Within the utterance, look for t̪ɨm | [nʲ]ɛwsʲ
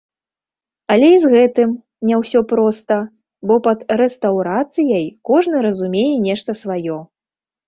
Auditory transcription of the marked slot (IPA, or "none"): nʲ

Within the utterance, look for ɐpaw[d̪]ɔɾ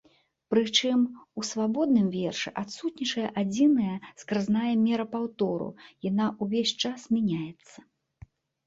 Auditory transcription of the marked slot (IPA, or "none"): t̪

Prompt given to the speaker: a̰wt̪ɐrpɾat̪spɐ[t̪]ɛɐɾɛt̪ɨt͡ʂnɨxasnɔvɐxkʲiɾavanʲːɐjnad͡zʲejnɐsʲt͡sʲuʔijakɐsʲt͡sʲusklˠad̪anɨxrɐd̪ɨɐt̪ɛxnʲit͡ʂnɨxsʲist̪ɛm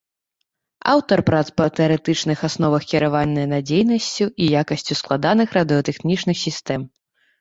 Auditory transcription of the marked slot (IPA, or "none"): t̪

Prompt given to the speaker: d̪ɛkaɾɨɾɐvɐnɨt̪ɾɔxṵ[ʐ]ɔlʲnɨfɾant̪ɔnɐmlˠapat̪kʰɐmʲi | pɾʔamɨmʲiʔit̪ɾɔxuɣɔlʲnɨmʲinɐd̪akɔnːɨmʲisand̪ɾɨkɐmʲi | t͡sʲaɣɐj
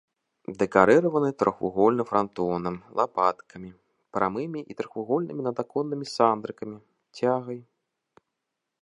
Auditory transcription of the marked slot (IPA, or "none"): ɣ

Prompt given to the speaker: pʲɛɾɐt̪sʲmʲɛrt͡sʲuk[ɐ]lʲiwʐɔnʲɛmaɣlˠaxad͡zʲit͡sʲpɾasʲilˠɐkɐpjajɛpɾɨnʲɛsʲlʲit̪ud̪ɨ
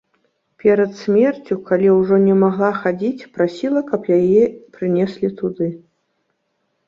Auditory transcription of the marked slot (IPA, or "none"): a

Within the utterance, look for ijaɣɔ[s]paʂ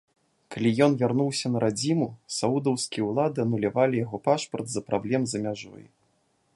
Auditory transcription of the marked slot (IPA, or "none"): none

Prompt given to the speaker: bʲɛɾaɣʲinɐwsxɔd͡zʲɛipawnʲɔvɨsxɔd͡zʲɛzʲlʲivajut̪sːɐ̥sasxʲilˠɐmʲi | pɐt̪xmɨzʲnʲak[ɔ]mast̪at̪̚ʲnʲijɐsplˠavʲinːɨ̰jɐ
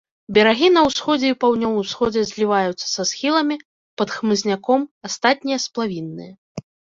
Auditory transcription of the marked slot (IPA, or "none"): ɔ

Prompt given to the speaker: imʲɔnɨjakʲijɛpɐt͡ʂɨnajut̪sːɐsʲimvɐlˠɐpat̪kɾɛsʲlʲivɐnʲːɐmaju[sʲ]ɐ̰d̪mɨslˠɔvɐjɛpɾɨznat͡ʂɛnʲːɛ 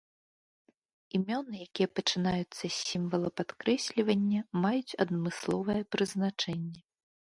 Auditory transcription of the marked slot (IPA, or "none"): t͡sʲ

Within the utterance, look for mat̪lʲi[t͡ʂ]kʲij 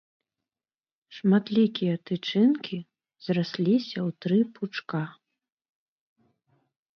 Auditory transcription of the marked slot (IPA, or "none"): none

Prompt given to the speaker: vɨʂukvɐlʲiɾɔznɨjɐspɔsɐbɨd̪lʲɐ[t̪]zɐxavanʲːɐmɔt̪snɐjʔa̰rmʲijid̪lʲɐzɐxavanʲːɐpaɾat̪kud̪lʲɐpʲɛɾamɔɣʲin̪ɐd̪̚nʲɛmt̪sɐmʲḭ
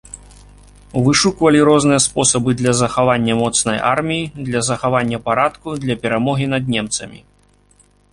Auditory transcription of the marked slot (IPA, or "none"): none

